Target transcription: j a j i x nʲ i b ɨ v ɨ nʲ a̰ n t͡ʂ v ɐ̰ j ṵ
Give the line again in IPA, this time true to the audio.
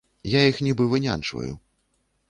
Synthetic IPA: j a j i x nʲ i b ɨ v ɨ nʲ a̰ n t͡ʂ v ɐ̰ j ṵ